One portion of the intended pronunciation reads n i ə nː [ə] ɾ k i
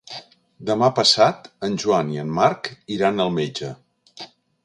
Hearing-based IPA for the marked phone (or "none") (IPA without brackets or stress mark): a